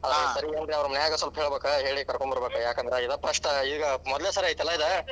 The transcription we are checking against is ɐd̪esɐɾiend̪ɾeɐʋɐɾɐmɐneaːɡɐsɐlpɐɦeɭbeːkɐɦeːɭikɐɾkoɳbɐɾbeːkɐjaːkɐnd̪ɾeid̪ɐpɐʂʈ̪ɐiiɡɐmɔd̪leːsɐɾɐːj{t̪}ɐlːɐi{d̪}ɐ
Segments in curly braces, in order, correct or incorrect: correct, correct

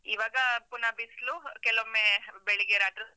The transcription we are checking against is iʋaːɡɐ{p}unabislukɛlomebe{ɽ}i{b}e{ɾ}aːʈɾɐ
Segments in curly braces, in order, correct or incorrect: correct, incorrect: ɭ, incorrect: ɡ, correct

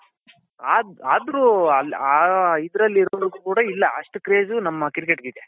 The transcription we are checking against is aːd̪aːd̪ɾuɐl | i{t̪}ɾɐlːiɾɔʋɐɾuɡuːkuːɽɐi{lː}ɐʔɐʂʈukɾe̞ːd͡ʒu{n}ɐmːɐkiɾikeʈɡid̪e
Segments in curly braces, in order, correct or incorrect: incorrect: d̪, correct, correct

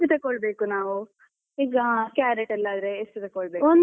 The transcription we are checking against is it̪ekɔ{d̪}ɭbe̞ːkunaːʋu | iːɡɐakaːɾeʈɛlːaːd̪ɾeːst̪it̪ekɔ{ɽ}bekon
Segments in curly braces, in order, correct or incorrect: incorrect: none, incorrect: ɭ

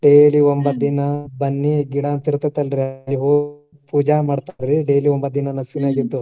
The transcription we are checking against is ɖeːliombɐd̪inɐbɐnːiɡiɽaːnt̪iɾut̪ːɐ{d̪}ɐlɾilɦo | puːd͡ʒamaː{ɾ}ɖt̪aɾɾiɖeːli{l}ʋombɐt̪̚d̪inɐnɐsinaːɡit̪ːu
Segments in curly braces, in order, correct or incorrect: incorrect: t̪, incorrect: none, incorrect: none

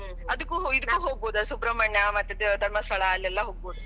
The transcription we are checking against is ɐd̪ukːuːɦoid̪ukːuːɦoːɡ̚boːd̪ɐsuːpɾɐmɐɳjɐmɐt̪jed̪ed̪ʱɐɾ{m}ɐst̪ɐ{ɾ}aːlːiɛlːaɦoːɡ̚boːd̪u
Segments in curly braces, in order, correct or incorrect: correct, incorrect: ɭ

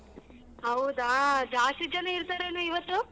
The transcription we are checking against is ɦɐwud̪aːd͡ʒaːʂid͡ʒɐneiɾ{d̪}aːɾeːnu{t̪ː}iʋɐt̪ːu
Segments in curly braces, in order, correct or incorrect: incorrect: t̪, incorrect: none

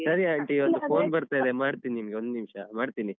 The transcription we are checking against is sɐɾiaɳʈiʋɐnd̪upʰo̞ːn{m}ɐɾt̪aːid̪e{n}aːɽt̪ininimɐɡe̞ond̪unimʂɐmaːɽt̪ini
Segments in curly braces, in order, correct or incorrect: incorrect: b, incorrect: m

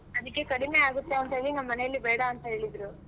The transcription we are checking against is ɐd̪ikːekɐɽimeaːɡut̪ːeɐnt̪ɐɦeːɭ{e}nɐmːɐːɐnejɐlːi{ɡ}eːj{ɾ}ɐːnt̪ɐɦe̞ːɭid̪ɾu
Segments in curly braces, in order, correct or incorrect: incorrect: i, incorrect: b, incorrect: ɽ

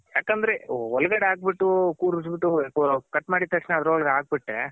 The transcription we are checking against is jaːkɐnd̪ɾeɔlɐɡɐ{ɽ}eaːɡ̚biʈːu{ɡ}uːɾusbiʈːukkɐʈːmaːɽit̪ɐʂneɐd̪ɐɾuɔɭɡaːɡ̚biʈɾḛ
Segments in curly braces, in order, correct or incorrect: correct, incorrect: k

